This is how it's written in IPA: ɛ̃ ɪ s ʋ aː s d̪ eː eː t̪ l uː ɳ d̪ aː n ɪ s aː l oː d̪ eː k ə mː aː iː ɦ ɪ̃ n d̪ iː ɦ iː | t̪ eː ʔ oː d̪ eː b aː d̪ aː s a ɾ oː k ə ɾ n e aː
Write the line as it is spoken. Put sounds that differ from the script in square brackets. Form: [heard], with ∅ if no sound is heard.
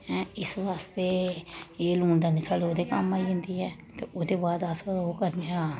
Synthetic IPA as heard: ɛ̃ ɪ s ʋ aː s [t̪] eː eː [∅] l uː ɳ d̪ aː n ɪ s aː l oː d̪ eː k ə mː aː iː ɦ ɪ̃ n d̪ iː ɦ [ɛː] | t̪ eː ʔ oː d̪ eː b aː d̪ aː s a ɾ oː k ə ɾ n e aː